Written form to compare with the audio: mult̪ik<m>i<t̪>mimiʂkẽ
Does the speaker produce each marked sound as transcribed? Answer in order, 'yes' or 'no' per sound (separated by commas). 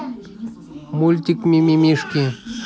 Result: yes, no